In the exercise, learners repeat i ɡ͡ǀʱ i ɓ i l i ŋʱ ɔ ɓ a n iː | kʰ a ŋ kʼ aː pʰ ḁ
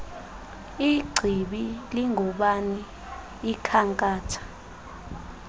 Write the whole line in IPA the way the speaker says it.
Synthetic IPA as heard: i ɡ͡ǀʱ i ɓ i l i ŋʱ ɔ ɓ a n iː | kʰ a ŋ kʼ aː tʰ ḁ